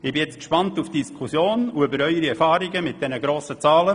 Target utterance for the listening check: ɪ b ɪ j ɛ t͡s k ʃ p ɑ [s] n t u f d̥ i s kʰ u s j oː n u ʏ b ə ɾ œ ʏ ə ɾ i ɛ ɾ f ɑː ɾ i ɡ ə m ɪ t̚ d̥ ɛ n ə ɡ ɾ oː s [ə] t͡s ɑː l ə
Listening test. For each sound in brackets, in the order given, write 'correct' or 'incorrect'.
incorrect, correct

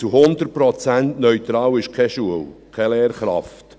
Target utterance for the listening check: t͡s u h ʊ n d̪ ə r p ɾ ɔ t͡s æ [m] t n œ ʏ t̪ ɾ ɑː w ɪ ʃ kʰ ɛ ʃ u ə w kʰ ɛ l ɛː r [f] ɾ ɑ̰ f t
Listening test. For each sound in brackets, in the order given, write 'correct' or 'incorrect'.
incorrect, incorrect

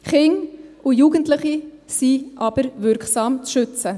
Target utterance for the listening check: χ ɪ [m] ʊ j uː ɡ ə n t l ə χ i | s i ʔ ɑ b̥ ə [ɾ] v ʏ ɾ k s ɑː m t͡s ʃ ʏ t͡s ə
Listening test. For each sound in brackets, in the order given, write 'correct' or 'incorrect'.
incorrect, correct

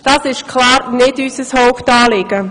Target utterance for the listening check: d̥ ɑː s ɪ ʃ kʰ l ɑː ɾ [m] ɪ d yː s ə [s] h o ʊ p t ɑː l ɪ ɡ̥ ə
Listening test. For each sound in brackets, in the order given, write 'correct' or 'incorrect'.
incorrect, correct

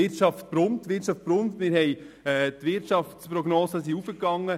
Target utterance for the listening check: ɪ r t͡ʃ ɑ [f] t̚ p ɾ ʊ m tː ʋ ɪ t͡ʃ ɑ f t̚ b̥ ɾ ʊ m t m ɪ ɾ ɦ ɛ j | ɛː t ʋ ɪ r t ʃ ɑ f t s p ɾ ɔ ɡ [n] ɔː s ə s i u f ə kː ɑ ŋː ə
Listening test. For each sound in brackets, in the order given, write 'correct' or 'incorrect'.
correct, correct

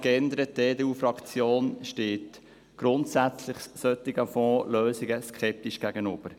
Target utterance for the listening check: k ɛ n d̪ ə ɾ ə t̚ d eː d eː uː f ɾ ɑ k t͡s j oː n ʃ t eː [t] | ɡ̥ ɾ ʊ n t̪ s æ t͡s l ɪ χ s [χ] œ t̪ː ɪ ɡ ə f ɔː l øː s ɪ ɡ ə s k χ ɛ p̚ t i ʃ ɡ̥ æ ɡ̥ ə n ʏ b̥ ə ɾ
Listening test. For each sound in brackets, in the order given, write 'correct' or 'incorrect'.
correct, incorrect

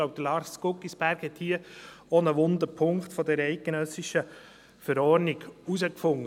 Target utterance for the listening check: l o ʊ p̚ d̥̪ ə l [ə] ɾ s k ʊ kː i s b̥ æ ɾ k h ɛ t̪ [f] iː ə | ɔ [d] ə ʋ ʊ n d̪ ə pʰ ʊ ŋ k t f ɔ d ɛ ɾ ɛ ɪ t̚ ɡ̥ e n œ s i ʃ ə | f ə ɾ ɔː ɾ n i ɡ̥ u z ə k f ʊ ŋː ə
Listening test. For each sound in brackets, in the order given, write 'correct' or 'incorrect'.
incorrect, incorrect, incorrect

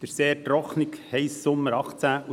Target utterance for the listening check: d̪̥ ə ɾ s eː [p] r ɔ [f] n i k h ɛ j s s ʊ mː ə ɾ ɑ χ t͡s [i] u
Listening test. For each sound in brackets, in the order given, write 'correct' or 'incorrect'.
incorrect, incorrect, incorrect

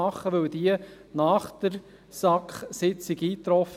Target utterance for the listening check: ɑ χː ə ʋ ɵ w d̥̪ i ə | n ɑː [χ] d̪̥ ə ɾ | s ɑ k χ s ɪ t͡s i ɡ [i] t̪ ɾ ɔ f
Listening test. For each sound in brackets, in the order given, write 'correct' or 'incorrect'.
correct, incorrect

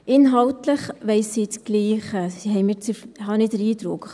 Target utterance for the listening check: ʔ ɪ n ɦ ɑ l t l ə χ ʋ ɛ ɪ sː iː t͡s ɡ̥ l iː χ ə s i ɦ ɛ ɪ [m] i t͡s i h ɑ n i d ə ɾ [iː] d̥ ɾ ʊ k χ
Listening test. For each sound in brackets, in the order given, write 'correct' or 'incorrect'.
correct, correct

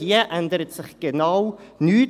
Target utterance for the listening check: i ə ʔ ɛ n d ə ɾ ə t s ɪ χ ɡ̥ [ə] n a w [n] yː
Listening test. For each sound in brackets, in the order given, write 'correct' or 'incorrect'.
correct, correct

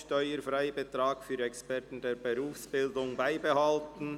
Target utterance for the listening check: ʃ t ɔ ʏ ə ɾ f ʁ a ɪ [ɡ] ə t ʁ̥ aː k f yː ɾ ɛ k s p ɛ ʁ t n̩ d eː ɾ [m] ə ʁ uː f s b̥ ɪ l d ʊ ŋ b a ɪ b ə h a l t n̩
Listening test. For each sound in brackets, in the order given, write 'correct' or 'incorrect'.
incorrect, incorrect

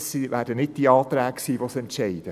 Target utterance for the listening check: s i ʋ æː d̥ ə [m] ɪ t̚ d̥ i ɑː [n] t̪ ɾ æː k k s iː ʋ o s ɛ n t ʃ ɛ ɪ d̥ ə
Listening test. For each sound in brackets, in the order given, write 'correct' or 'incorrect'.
incorrect, incorrect

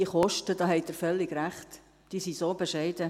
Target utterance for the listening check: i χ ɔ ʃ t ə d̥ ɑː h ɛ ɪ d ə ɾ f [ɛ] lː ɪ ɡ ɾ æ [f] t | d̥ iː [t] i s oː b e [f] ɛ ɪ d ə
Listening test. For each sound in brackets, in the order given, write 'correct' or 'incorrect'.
incorrect, incorrect, incorrect, incorrect

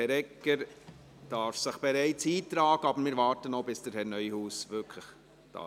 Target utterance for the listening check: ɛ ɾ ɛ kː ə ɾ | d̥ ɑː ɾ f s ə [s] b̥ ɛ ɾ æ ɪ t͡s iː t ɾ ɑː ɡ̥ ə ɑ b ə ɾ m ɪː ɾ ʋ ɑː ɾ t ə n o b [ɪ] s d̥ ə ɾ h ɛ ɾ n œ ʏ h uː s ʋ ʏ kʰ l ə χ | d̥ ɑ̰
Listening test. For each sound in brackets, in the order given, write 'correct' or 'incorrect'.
incorrect, correct

